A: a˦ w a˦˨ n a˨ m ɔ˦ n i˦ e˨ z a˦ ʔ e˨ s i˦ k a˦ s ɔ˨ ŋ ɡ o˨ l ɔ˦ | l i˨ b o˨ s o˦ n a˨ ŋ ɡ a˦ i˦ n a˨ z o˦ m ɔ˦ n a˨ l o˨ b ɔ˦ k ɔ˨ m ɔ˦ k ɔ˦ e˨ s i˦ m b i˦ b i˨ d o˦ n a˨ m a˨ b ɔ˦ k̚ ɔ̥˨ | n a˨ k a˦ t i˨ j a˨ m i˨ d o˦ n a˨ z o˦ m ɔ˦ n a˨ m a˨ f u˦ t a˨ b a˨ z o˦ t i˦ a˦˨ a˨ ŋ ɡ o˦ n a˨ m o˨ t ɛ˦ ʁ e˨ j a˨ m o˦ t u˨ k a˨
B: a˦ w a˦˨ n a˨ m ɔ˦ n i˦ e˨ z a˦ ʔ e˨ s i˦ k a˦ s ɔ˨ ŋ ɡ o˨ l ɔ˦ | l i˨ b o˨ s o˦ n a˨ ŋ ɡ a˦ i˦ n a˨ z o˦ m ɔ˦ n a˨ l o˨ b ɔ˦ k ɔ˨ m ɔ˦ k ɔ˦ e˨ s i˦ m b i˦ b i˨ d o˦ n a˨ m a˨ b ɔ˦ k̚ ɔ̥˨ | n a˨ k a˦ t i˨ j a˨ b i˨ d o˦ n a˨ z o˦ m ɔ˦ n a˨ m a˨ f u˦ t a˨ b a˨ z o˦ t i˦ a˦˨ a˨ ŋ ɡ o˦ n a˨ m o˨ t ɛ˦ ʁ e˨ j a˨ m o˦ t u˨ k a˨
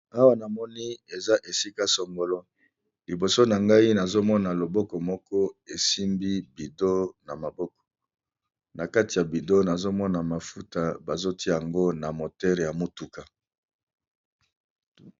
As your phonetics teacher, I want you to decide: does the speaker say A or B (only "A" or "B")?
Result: B